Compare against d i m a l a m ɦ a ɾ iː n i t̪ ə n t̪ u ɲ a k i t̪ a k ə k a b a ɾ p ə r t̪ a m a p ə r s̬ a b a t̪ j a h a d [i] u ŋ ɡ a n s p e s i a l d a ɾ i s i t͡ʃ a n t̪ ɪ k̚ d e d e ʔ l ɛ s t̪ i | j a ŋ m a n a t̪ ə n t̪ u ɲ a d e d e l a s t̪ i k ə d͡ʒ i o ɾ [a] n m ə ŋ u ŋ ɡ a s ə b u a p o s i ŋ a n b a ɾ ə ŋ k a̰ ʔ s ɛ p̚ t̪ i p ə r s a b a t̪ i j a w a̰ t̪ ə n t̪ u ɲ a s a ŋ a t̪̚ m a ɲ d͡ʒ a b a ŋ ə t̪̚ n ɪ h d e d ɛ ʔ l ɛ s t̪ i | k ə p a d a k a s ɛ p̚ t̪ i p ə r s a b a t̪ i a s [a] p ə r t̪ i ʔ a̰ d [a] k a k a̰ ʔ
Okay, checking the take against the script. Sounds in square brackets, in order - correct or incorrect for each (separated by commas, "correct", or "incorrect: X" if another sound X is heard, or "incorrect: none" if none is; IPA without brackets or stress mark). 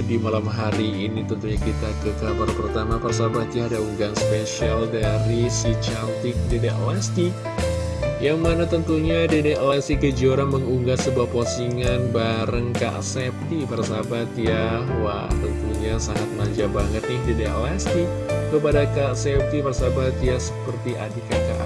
incorrect: a, correct, incorrect: ə, incorrect: i